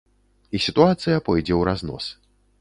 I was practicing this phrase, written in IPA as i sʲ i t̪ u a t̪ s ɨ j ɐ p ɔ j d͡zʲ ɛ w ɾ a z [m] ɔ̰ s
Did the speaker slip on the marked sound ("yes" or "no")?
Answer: yes